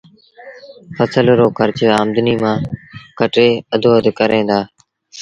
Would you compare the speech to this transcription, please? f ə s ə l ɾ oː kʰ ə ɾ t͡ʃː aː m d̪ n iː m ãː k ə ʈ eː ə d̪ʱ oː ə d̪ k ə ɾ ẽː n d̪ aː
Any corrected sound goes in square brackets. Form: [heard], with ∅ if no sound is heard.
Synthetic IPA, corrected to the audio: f ə s ə l ɾ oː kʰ ə ɾ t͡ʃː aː m d̪ n iː m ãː k ə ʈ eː ə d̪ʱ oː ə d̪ k ə ɾ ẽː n d̪ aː